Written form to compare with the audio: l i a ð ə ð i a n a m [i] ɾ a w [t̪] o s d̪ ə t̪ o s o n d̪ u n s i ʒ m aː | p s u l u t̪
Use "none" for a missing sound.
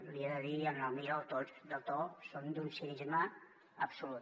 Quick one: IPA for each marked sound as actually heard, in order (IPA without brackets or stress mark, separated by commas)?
i, t̪